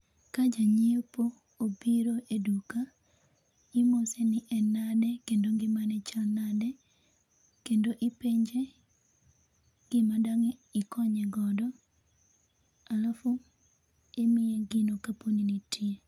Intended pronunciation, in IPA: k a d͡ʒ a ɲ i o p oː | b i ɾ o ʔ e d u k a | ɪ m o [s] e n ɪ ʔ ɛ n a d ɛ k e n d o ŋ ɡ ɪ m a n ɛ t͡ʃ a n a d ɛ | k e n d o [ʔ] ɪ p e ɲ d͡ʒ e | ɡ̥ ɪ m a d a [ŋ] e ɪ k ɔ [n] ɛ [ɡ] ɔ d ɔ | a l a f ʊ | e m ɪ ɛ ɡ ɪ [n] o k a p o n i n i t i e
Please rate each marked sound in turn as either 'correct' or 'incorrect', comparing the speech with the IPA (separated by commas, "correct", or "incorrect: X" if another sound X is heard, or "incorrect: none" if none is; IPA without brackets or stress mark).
correct, correct, correct, incorrect: ɲ, correct, correct